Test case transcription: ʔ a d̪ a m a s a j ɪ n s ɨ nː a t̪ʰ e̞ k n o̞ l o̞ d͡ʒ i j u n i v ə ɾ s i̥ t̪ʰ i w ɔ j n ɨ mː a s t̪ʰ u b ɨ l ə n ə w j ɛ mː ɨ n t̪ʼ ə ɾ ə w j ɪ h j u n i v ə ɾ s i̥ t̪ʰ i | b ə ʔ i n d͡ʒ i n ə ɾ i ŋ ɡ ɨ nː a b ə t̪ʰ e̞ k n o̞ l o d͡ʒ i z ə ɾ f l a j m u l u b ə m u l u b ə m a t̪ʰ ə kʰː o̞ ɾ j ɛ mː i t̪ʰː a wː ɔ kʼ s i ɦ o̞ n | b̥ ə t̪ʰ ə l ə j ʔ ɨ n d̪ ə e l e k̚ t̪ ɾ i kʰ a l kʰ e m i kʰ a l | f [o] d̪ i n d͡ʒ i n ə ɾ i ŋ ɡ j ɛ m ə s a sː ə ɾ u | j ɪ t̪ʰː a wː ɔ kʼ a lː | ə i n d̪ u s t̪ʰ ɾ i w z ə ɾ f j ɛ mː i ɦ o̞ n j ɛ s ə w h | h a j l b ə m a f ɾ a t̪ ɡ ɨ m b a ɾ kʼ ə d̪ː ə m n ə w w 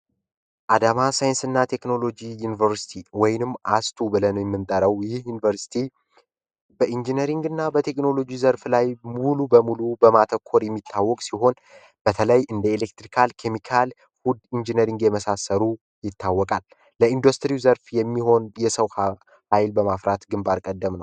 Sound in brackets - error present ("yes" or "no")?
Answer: yes